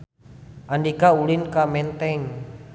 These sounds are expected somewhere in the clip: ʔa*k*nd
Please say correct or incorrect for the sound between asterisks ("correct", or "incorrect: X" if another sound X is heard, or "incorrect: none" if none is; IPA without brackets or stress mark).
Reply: incorrect: none